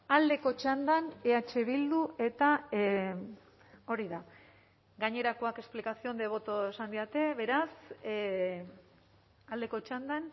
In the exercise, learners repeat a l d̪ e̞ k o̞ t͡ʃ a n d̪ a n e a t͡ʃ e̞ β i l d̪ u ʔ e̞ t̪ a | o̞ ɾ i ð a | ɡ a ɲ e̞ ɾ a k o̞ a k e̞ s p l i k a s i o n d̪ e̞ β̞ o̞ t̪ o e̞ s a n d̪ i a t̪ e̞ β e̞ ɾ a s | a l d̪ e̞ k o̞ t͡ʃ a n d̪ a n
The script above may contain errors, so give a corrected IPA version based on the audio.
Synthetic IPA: a l d̪ e̞ k o̞ t͡ʃ a n d̪ a n e a t͡ʃ e̞ β i l d̪ u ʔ e̞ t̪ a | o̞ ɾ i ð a | ɡ a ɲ e̞ ɾ a k o̞ a k e̞ s p l i k a s i o n d̪ e̞ β̞ o̞ t̪ o e̞ s a n d̪ i a t̪ e̞ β e̞ ɾ a s | a l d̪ e̞ k o̞ t͡ʃ a n d̪ a n